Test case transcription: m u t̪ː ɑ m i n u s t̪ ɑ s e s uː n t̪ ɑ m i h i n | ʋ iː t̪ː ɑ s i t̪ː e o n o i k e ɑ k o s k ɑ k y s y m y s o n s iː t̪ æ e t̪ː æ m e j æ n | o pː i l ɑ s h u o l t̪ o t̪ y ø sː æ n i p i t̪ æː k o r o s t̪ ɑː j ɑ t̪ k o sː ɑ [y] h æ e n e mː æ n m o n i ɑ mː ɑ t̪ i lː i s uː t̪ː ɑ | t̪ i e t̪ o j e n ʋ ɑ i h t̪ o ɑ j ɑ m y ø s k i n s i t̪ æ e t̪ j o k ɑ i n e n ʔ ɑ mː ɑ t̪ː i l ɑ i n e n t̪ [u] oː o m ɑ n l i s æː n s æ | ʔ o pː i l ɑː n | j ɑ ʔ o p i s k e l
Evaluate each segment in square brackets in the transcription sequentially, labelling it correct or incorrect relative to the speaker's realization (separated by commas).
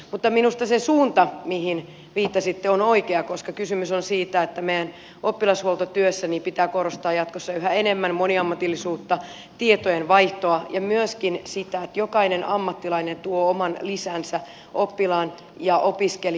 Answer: correct, correct